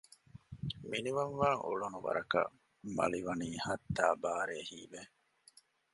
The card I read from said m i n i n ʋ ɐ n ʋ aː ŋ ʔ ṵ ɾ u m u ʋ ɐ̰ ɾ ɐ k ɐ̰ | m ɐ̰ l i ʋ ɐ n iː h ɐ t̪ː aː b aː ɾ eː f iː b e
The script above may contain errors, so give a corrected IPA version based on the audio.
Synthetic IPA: m i n i ʋ ɐ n ʋ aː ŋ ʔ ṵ ɭ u n u ʋ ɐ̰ ɾ ɐ k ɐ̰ | m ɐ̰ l i ʋ ɐ n iː h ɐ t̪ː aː b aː ɾ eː h iː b e